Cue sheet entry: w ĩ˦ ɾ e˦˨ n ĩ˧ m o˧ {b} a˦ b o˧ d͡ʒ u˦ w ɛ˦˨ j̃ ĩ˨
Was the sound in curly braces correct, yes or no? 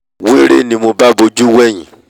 yes